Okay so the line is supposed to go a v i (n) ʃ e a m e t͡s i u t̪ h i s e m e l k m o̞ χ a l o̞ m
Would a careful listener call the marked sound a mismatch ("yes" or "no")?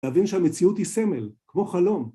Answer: no